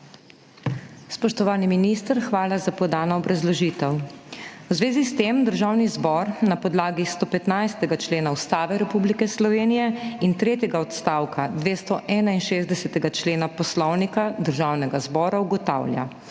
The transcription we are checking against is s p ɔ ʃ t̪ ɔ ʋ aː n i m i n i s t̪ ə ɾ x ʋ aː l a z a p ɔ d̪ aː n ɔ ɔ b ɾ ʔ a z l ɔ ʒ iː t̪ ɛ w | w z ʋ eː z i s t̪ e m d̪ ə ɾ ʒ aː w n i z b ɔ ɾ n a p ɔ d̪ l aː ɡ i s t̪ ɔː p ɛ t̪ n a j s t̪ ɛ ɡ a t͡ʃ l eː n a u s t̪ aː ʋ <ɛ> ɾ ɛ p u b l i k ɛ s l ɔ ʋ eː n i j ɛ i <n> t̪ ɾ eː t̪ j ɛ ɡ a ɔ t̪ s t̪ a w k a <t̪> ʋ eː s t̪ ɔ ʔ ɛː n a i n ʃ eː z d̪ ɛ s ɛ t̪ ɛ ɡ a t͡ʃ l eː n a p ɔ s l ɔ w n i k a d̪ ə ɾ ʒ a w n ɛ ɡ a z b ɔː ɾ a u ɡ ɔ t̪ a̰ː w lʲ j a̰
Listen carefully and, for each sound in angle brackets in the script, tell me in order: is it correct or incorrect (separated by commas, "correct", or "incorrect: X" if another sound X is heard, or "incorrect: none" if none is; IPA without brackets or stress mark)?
correct, correct, incorrect: d̪